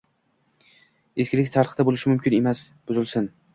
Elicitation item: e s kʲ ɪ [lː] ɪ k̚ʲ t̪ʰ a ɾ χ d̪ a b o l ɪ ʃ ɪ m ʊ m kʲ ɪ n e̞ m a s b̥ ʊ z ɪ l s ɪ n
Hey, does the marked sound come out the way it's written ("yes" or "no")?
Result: no